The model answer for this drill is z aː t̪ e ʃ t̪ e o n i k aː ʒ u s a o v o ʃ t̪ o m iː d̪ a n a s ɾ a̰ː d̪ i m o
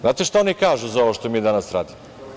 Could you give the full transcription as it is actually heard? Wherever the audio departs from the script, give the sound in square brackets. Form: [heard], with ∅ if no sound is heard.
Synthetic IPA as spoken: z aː t̪ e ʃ t̪ [a] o n i k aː ʒ u [z] a o [ʋ] o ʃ t̪ o m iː d̪ a n a s ɾ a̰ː d̪ i m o

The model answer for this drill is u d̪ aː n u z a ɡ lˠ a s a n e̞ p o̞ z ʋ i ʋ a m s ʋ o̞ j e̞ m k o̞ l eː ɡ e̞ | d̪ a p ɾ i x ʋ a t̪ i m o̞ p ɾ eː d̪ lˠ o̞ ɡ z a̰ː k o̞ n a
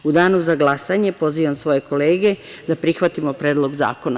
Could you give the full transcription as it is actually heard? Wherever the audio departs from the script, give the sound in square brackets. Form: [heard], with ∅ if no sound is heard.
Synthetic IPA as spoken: u d̪ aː n u z a ɡ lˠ a s a [ɲ] e̞ p o̞ z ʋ i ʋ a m s ʋ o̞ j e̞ [∅] k o̞ l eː ɡ e̞ | d̪ a p ɾ i x ʋ a t̪ i m o̞ p ɾ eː d̪ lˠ o̞ ɡ z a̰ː k o̞ n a

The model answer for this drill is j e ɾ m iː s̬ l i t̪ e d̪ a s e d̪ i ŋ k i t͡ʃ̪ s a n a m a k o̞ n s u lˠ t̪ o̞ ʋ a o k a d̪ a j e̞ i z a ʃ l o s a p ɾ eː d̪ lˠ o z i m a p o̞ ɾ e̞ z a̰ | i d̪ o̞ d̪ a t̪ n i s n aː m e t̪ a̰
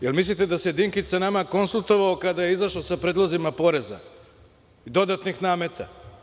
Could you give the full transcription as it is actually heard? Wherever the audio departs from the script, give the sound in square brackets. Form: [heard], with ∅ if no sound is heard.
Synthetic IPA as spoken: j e [l] m [i] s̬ l i t̪ e d̪ a s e d̪ i ŋ k i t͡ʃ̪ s a n a m a k o̞ n s u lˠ t̪ o̞ ʋ a o k a d̪ a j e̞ i z a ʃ l o s a p ɾ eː d̪ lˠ o z i m a p o̞ ɾ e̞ z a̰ | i d̪ o̞ d̪ a t̪ n i [x] n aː m e t̪ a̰

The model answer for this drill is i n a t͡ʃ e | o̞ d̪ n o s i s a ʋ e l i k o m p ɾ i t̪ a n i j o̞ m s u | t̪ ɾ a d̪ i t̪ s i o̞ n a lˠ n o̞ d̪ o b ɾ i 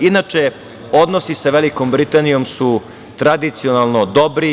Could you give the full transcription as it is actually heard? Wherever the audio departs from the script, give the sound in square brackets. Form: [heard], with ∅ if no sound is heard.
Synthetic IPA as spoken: i n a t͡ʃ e | o̞ d̪ n o s i s a ʋ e l i k o m [b] ɾ i t̪ a n i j o̞ m s u | t̪ ɾ a d̪ i t̪ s i o̞ n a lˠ n o̞ d̪ o b ɾ i

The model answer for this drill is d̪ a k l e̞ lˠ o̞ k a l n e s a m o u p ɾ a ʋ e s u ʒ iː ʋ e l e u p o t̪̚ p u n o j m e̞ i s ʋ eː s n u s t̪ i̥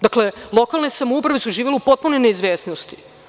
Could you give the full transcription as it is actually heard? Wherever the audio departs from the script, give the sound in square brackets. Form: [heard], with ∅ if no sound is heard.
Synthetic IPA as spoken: d̪ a k l e̞ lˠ o̞ k a l n e s a m o u p ɾ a ʋ e s u ʒ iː ʋ e l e u p o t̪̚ p u n o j [n] e̞ i [z] ʋ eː s n [o] s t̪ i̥

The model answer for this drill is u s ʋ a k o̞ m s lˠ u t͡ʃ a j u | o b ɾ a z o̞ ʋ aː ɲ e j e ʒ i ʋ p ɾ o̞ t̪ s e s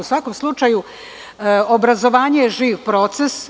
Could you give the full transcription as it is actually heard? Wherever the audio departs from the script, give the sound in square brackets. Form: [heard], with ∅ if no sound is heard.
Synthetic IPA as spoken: u s ʋ a k o̞ m s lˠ u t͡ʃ a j u | o b ɾ a z o̞ ʋ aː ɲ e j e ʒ [iː] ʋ p ɾ o̞ t̪ s e s

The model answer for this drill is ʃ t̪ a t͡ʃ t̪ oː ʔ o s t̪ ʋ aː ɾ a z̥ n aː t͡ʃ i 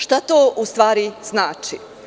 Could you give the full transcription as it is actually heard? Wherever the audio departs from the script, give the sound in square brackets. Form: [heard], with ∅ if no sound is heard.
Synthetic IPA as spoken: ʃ t̪ a [∅] t̪ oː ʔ [u] s t̪ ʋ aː ɾ [i] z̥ n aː t͡ʃ i

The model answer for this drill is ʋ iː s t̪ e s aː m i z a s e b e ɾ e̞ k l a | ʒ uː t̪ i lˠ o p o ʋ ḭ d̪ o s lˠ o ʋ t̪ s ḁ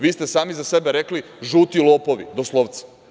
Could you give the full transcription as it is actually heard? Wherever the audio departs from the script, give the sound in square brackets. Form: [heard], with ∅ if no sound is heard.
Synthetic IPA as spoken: ʋ iː s t̪ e s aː m i z a s e b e ɾ e̞ k l [i] | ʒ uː t̪ i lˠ o p o ʋ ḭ d̪ o s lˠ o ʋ t̪ s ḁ

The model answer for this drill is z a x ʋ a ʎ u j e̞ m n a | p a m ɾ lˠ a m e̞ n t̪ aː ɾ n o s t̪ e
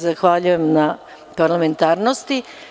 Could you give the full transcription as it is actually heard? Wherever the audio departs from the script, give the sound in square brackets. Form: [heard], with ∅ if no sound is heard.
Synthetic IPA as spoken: z a x ʋ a ʎ u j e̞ m n a | p a [∅] ɾ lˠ a m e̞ n t̪ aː ɾ n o s t̪ [i]

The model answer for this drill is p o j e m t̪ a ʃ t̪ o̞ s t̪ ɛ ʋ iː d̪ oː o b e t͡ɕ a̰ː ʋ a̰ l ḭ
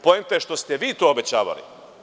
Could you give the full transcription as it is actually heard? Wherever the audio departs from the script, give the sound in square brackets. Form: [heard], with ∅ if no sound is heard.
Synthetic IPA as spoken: p o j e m t̪ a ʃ t̪ o̞ s t̪ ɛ ʋ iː [t̪] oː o b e t͡ɕ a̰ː ʋ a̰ l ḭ

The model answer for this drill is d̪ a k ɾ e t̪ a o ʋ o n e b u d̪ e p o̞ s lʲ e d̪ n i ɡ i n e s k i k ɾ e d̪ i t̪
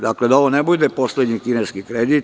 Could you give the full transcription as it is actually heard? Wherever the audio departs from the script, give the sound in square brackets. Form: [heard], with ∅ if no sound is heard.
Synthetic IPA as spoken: d̪ a k [l] e [d̪] a o ʋ o n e b u d̪ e p o̞ s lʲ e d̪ [ɲ] i [k] i n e s k i k ɾ e d̪ i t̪

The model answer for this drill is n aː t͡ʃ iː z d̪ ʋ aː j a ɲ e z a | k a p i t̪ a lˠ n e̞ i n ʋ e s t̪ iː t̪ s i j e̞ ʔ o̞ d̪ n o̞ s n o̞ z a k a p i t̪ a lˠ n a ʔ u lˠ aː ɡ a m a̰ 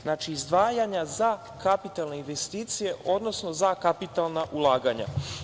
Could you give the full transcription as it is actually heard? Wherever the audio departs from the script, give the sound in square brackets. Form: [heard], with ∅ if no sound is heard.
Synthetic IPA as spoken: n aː t͡ʃ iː z d̪ ʋ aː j a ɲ [a] z a | k a p i t̪ a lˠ n e̞ i n ʋ e s t̪ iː t̪ s i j e̞ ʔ o̞ d̪ n o̞ s n o̞ z a k a p i t̪ a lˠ n a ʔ u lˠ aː ɡ a [ɲ] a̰

